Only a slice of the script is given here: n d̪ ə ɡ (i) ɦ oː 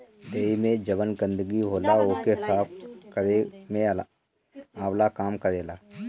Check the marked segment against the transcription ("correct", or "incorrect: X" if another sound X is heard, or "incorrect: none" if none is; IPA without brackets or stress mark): correct